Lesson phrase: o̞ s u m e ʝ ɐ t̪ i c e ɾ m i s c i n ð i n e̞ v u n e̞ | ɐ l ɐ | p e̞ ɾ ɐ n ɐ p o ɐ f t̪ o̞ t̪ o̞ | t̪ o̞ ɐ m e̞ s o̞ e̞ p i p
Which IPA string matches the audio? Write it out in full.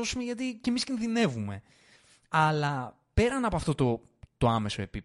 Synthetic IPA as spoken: o̞ s u m e ʝ ɐ t̪ i c e m i s c i n ð i n e̞ v u m e̞ | ɐ l ɐ | p e̞ ɾ ɐ n ɐ p o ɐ f t̪ o̞ t̪ o̞ | t̪ o̞ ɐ m e̞ s o̞ e̞ p i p